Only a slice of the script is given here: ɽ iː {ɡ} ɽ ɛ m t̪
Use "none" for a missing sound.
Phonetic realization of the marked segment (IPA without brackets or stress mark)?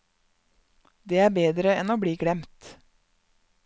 ɡ